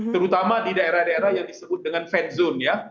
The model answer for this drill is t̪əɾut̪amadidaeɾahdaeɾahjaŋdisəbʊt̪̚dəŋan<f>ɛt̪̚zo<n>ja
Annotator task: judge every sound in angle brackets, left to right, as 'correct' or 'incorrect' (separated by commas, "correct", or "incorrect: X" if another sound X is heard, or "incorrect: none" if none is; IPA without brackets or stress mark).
correct, correct